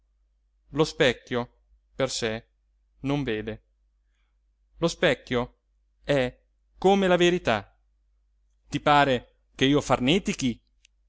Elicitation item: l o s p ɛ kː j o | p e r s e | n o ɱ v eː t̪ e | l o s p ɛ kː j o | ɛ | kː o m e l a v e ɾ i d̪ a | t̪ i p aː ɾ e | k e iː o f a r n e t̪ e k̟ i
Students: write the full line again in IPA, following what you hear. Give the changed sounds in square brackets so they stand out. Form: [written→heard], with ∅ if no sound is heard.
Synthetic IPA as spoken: l o s p ɛ kː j o | p e r s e | n o ɱ v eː [t̪→d̪] e | l o s p ɛ kː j o | ɛ | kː o m e l a v e ɾ i [d̪→t̪] a | t̪ i p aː ɾ e | k e iː o f a r n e t̪ [e→i] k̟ i